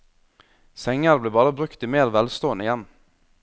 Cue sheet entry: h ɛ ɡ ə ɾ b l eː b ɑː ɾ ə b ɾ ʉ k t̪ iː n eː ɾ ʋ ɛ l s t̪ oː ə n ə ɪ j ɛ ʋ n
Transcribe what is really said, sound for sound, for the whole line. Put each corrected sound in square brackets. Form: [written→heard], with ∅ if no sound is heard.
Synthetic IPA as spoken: [h→s] ɛ [ɡ→ŋ] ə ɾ b l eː b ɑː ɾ ə b ɾ ʉ k t̪ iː [n→m] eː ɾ ʋ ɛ l s t̪ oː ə n ə ɪ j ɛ [ʋ→∅] n